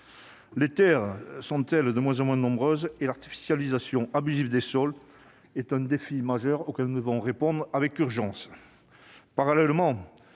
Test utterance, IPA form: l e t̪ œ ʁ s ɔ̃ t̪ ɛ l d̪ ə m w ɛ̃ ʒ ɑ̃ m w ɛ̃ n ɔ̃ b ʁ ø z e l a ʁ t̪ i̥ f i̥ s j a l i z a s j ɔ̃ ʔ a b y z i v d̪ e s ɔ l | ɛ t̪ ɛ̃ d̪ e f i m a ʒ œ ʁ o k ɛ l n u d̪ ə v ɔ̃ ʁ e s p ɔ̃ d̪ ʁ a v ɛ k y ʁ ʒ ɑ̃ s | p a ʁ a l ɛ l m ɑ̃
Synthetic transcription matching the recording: l e t̪ ɛ ʁ s ɔ̃ t̪ ɛ l d̪ ə m w ɛ̃ z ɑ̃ m w ɛ̃ n ɔ̃ b ʁ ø z e l a ʁ t̪ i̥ f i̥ s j a l i z a s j ɔ̃ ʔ a b y z i v d̪ e s ɔ l | ɛ t̪ ɛ̃ d̪ e f i m a ʒ œ ʁ o k ɛ l n u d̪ ə v ɔ̃ ʁ e p ɔ̃ d̪ ʁ a v ɛ k y ʁ ʒ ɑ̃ s | p a ʁ a l ɛ l m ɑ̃